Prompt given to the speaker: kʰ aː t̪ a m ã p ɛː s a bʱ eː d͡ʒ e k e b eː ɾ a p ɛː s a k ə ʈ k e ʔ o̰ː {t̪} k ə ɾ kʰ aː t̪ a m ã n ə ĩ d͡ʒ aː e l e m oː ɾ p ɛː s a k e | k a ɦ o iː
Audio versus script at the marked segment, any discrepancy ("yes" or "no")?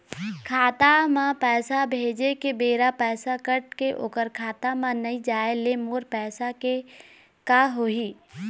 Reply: yes